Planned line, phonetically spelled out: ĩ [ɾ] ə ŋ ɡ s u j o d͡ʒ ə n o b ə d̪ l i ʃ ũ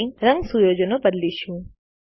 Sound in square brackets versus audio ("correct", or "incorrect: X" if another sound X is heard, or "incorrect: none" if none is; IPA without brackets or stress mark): correct